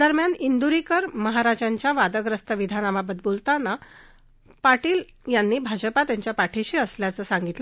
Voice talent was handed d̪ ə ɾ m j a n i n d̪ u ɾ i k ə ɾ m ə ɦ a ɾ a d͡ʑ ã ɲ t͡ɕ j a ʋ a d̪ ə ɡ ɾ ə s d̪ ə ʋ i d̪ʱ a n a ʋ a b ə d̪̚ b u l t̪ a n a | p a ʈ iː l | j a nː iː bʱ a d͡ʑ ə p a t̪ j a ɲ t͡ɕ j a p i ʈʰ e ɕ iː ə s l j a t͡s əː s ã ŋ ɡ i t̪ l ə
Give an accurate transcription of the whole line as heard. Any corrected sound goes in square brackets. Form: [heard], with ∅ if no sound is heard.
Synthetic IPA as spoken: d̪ ə ɾ m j a n i n d̪ u ɾ i k ə ɾ m ə ɦ a ɾ a d͡ʑ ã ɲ t͡ɕ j a ʋ a d̪ ə ɡ ɾ ə s [t̪] ə ʋ i d̪ʱ a n a ʋ a b ə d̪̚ b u l t̪ a n a | p a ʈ iː l | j a nː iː bʱ a d͡ʑ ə p a t̪ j a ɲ t͡ɕ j a p [a] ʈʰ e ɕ iː ə s l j a t͡s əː s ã ŋ ɡ i t̪ l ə